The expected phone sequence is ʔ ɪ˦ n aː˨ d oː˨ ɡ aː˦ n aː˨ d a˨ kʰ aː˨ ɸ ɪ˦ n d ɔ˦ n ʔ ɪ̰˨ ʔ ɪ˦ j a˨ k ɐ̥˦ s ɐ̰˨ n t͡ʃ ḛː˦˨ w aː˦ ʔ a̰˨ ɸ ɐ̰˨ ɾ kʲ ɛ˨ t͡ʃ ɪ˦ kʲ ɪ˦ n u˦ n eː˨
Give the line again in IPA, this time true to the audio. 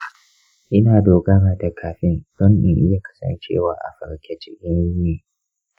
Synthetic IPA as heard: ʔ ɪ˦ n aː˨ d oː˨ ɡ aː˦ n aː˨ d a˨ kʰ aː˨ ɸ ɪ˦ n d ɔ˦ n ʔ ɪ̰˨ ʔ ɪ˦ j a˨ k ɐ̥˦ s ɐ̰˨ n t͡ʃ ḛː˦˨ w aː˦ ʔ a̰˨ ɸ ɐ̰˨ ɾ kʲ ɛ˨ t͡ʃ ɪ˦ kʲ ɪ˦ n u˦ n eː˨